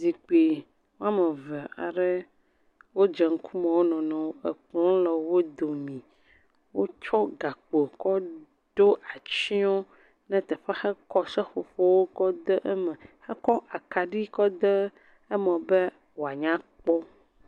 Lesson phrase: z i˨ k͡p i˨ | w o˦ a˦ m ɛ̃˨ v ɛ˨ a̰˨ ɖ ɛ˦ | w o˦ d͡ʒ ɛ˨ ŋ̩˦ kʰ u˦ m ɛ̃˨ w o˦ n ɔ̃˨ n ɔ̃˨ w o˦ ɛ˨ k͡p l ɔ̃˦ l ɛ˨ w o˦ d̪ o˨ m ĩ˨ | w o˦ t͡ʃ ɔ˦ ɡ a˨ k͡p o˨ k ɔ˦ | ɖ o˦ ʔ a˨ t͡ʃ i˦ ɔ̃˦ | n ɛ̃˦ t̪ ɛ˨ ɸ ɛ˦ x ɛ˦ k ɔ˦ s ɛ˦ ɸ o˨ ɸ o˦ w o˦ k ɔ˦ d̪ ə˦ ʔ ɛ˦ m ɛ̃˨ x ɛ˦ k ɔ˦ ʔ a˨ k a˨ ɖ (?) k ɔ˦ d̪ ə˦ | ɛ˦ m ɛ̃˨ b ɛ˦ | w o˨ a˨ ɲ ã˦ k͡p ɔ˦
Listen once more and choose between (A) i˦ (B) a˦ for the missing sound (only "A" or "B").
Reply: A